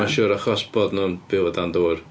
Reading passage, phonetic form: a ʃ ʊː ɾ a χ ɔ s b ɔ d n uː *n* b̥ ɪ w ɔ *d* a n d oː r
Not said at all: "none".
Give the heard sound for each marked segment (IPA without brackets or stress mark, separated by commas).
n, d